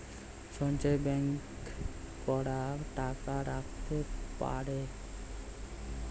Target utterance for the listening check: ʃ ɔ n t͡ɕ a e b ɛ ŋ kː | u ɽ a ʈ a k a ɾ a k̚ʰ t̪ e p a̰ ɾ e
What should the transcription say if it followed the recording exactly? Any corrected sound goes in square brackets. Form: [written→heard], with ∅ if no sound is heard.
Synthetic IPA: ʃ ɔ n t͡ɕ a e b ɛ ŋ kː | [u→ɔ] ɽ a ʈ a k a ɾ a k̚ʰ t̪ e p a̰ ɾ e